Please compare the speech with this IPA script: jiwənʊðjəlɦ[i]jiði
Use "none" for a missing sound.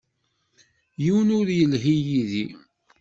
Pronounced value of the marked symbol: i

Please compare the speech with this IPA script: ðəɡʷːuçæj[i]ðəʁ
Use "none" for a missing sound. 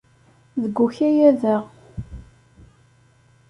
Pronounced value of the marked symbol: æ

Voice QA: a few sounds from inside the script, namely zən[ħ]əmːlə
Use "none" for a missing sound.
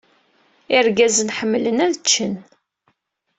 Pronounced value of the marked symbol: ħ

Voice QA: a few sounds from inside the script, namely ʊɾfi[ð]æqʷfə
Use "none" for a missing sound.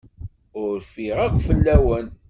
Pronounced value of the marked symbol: ʁ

